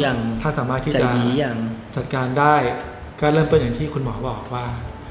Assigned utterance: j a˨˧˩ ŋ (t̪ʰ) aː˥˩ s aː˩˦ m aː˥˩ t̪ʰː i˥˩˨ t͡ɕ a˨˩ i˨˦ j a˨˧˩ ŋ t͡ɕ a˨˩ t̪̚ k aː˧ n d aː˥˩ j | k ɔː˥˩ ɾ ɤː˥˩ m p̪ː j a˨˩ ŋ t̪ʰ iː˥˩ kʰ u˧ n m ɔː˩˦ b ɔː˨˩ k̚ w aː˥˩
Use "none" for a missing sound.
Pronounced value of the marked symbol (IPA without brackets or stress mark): t̪ʰ